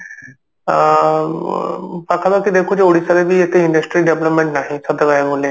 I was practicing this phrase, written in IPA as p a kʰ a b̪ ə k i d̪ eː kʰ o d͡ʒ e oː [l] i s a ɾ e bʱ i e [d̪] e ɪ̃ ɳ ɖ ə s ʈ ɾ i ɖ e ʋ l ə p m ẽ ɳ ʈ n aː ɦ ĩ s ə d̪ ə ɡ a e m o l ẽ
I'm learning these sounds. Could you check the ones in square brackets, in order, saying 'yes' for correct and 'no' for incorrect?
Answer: no, no

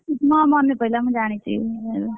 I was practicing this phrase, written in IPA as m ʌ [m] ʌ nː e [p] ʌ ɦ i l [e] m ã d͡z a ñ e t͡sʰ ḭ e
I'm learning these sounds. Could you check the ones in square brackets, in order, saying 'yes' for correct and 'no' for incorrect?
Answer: yes, yes, no

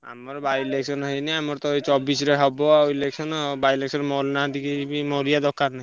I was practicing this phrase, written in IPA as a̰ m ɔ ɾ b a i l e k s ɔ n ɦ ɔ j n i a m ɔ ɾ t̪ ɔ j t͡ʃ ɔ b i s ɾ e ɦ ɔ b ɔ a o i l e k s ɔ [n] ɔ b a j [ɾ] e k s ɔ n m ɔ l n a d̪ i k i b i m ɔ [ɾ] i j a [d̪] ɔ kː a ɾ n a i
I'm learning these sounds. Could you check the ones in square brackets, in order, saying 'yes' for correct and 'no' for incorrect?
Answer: yes, no, yes, yes

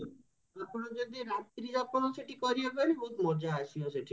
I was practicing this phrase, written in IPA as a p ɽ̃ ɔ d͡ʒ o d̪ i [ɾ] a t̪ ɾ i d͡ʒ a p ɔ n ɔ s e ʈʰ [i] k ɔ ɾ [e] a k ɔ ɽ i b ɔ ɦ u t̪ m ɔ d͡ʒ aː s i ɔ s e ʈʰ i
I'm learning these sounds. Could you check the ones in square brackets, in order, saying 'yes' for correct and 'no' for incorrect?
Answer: yes, yes, no

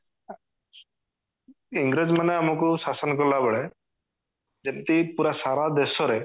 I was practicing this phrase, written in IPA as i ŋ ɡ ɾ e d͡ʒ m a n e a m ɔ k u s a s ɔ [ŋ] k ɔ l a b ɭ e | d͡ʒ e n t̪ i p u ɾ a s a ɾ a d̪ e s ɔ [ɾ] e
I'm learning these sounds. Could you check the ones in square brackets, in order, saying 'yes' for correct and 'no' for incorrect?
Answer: no, yes

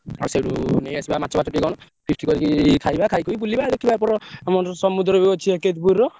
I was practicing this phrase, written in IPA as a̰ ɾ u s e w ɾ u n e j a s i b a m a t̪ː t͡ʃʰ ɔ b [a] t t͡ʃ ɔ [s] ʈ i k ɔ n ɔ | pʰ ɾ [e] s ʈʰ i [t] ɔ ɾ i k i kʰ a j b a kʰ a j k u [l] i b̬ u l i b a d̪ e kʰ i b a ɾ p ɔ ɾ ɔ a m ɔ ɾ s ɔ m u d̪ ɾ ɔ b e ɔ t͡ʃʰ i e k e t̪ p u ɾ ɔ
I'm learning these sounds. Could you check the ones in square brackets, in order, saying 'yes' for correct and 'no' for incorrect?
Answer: yes, no, no, no, no

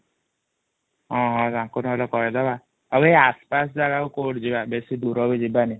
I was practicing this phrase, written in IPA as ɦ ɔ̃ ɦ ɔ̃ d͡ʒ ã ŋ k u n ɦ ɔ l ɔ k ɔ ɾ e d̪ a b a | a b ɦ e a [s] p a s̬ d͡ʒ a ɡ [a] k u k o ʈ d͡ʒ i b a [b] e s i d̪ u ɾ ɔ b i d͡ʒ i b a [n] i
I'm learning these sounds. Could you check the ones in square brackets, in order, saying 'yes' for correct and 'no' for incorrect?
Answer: yes, yes, yes, yes

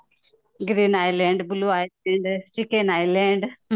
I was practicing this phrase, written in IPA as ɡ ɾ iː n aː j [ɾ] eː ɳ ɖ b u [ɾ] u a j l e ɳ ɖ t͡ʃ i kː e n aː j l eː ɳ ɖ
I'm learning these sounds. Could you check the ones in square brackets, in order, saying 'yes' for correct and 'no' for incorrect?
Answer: no, no

